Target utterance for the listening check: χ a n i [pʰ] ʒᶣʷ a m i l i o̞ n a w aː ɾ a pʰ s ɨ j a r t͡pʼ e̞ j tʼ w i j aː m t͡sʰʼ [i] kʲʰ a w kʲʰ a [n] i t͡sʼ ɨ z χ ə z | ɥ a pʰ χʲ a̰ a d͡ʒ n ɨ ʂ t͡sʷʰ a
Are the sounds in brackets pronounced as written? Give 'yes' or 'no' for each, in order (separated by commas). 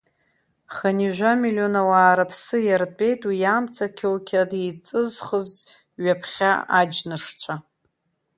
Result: no, no, no